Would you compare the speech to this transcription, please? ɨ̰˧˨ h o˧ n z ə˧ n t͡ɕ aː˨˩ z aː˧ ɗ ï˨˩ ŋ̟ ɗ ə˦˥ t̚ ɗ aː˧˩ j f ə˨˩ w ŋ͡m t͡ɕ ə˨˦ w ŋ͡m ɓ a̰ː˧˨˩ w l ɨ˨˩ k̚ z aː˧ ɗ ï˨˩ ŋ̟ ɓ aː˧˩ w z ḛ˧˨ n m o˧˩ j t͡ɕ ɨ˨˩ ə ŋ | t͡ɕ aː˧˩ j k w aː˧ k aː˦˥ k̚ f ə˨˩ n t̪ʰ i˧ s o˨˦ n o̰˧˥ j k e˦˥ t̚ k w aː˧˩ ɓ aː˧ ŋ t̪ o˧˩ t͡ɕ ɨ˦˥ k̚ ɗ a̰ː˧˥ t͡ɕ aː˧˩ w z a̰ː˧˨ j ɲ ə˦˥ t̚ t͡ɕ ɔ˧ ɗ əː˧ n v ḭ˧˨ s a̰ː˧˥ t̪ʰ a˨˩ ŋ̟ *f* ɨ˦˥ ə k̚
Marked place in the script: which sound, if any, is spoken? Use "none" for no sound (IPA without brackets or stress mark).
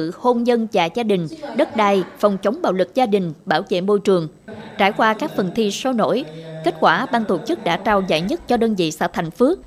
f